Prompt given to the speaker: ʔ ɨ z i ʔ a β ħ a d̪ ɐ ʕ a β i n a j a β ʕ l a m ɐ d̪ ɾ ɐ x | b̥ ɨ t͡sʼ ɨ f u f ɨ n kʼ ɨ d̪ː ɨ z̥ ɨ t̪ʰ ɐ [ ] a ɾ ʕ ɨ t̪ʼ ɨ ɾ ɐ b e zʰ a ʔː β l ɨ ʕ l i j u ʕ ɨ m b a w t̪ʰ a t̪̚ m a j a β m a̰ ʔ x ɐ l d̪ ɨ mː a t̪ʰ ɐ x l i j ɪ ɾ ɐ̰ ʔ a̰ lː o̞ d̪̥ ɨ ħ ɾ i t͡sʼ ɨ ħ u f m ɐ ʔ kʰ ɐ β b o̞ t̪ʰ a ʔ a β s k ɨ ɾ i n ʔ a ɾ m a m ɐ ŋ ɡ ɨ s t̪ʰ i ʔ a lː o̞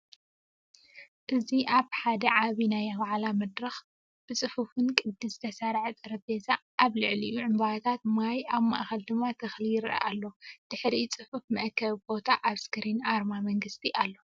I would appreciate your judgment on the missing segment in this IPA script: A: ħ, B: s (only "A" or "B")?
B